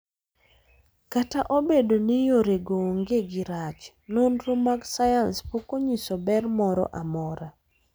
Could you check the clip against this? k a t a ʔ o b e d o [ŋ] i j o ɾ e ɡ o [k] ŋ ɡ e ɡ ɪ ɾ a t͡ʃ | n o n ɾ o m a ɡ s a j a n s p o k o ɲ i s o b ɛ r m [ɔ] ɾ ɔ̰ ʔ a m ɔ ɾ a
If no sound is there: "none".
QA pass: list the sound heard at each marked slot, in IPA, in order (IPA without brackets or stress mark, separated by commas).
n, none, ɔ